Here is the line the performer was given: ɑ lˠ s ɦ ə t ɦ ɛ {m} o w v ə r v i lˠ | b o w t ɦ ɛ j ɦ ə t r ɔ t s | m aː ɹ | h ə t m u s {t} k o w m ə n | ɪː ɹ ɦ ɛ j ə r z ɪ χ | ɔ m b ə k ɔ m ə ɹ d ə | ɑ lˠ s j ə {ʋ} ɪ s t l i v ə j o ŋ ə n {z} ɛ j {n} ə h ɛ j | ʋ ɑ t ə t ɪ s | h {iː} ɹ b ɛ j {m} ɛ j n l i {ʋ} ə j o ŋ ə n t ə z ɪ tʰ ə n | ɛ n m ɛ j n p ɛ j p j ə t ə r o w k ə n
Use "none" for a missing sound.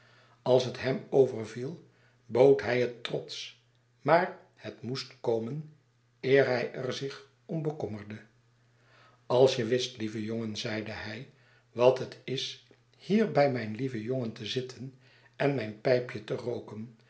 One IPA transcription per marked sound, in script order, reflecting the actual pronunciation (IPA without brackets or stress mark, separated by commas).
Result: m, t, ʋ, z, d, iː, m, v